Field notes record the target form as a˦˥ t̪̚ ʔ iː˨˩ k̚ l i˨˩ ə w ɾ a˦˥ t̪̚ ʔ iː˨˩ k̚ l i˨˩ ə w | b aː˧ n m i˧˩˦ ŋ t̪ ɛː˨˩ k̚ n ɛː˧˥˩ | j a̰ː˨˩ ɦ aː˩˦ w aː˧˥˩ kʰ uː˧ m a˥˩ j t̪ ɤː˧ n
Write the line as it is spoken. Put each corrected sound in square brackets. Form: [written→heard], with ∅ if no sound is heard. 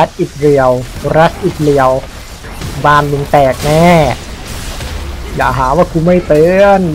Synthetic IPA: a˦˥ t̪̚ ʔ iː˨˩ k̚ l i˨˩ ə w ɾ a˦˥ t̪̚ ʔ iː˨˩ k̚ l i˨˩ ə w | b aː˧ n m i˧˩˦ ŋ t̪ ɛː˨˩ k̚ n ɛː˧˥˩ | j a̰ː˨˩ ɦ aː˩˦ w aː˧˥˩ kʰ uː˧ m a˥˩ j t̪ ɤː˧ n